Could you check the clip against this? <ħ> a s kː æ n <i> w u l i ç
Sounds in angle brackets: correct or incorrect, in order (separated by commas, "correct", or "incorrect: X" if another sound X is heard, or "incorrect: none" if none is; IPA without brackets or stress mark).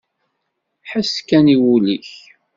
correct, correct